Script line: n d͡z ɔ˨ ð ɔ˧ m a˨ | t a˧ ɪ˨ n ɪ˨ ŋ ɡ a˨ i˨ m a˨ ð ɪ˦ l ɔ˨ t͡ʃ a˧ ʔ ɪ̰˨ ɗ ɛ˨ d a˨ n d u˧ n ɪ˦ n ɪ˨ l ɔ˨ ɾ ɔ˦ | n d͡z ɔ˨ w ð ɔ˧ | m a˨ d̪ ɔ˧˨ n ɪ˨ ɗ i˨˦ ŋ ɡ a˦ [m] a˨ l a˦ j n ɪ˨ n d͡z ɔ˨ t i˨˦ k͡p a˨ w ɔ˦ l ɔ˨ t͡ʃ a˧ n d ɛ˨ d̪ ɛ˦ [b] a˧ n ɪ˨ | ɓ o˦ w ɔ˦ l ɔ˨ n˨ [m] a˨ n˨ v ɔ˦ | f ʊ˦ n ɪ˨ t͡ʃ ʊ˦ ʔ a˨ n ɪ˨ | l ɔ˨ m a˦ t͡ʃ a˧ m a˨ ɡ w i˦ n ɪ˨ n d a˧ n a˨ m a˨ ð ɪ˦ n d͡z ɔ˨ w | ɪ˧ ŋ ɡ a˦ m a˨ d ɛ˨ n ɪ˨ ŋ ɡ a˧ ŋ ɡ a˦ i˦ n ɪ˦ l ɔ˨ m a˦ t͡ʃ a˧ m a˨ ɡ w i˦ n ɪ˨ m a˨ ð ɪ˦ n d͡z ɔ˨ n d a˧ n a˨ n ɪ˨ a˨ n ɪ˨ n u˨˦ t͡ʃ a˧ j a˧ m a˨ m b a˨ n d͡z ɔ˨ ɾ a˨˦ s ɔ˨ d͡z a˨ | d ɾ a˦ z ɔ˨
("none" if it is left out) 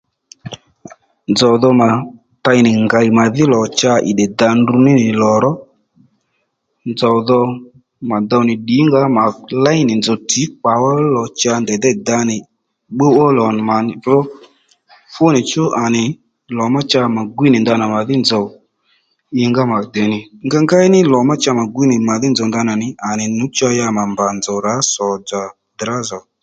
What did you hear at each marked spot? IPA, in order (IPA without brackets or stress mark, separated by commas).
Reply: m, d, m